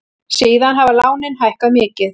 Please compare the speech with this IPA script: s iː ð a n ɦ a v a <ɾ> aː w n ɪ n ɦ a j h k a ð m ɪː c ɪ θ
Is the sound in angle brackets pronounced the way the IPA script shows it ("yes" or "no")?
no